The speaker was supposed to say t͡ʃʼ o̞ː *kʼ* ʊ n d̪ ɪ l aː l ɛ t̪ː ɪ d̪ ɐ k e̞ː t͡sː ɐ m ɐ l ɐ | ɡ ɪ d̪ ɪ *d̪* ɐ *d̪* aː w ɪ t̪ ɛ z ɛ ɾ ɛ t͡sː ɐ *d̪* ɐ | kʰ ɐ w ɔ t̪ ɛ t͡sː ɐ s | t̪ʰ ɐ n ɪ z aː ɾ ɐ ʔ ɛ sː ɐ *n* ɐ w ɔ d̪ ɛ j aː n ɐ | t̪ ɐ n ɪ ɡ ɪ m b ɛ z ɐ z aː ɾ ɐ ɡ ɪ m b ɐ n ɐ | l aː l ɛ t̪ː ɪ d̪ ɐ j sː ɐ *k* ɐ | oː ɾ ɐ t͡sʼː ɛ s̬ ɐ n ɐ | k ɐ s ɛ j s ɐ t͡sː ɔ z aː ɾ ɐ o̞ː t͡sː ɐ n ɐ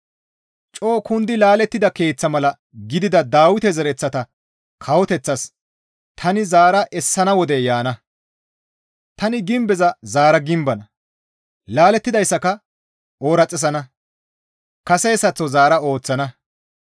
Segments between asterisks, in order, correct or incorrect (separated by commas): incorrect, correct, correct, incorrect, correct, correct